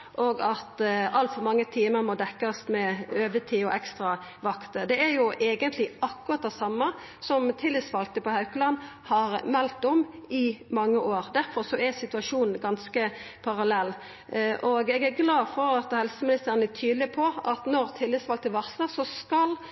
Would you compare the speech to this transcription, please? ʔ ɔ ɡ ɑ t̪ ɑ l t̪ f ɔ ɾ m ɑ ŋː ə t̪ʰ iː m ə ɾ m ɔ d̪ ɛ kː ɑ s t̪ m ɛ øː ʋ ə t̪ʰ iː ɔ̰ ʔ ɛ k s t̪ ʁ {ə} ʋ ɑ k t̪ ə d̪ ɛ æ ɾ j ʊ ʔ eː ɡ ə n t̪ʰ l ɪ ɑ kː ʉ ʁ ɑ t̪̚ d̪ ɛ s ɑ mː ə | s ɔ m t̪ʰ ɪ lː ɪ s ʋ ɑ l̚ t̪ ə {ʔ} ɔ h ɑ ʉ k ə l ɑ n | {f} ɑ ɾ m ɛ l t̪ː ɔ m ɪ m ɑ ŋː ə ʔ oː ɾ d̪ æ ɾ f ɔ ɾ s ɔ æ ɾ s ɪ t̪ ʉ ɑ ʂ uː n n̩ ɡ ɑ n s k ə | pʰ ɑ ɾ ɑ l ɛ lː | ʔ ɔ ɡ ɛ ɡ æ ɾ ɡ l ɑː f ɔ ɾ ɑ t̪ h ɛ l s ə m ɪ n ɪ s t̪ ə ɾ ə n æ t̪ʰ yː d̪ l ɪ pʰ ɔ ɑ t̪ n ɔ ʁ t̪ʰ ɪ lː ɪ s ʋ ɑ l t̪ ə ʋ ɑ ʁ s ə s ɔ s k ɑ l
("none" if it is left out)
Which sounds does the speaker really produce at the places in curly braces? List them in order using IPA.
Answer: ɑ, p, h

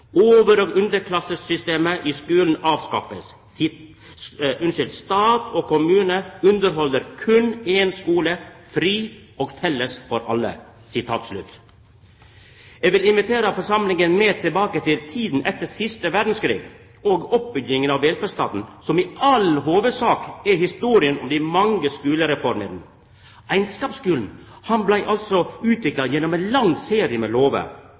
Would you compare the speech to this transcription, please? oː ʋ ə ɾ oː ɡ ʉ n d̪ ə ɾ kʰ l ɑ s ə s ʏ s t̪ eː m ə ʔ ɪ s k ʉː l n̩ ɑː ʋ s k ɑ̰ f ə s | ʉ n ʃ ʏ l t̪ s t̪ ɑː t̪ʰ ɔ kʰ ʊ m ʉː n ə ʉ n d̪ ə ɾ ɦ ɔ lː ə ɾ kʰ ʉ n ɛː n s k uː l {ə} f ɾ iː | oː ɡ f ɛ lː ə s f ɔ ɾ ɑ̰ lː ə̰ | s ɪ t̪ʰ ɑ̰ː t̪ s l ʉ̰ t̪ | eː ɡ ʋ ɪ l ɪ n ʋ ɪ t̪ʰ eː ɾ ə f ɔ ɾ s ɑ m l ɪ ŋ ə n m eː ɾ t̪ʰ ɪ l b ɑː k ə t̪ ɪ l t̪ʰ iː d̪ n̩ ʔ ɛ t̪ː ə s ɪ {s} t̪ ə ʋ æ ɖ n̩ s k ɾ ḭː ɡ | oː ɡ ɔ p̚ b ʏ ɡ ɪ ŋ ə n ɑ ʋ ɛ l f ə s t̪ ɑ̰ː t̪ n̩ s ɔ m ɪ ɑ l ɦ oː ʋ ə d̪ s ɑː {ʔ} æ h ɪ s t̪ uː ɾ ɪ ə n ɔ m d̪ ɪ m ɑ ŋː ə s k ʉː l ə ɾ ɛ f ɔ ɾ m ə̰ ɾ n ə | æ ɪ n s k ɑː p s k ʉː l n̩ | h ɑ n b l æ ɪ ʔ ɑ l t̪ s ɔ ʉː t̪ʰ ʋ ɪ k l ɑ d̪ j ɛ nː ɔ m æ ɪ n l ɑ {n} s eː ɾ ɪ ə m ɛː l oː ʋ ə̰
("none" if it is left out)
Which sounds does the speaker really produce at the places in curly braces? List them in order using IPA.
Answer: ə, s, k, ŋ

